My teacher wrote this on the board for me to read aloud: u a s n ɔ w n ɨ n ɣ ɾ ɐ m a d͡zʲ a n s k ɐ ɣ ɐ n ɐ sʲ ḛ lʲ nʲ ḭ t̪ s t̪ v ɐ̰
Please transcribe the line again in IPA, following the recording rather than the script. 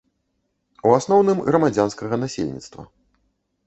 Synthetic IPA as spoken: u a s n ɔ w n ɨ m ɣ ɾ ɐ m a d͡zʲ a n s k ɐ ɣ ɐ n a sʲ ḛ lʲ nʲ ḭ t̪ s t̪ v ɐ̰